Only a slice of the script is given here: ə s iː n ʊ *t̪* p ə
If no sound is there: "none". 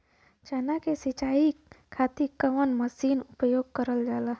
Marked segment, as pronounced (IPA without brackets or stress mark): none